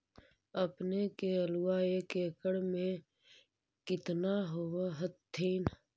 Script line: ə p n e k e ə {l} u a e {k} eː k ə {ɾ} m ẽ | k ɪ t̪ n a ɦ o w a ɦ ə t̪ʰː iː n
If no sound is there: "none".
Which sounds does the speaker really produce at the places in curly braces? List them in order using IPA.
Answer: l, k, ɽ

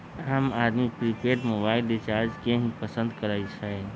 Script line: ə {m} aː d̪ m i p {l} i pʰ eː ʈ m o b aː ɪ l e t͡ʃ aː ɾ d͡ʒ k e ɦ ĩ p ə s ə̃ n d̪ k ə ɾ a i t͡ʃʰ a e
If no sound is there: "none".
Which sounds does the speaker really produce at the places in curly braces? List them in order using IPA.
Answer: m, ɾ

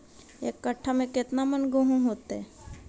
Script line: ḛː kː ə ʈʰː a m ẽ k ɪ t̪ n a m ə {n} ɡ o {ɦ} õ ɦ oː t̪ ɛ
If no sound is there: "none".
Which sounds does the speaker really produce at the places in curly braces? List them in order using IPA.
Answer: n, ɦ

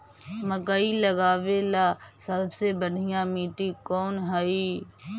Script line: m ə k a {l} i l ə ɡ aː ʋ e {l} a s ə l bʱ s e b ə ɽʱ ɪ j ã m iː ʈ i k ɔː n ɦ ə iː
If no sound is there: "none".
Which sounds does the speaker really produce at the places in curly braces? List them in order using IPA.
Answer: none, l

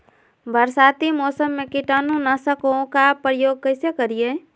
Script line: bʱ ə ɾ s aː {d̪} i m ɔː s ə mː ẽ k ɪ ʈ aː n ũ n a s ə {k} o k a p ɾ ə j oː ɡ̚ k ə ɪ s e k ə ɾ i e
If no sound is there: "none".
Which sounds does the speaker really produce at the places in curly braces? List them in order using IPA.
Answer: t̪, k

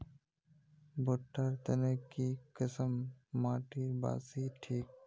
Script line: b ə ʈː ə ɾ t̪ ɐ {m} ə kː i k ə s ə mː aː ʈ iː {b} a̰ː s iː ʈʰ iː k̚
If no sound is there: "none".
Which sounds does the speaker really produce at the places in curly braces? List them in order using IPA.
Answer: n, b

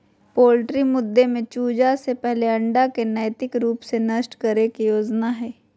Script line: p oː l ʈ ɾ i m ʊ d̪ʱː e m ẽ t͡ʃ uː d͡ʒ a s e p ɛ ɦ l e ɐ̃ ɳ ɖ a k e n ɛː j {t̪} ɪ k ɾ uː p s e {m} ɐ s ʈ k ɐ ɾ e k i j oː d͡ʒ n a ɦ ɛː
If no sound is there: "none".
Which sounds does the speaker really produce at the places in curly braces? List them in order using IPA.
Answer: t̪, n

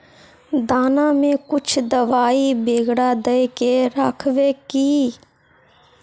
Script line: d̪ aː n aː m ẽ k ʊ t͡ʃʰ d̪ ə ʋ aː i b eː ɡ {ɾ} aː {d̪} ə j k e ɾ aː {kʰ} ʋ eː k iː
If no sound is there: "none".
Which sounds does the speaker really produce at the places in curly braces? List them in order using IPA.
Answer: ɽ, d̪, kʰ

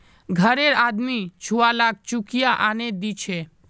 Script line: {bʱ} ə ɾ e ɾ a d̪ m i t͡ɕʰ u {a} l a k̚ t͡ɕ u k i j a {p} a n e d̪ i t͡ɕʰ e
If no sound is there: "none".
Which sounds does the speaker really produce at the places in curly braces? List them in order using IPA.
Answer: ɡʱ, a, ʔ

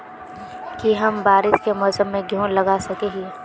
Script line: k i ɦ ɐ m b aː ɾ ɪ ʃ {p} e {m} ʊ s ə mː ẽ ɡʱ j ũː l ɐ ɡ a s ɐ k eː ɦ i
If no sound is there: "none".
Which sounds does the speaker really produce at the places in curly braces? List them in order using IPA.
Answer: k, m

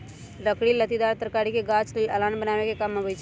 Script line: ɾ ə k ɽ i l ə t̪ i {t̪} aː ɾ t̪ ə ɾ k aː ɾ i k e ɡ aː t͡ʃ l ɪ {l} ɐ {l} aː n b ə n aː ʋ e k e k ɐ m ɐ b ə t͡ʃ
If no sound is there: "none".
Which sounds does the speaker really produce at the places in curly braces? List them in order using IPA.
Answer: d̪, l, l

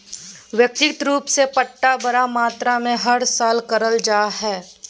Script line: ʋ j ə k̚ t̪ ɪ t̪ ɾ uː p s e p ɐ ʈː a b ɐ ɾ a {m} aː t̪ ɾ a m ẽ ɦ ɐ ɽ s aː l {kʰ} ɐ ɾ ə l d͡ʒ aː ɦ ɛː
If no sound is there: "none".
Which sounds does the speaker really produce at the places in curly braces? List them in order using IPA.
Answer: m, k

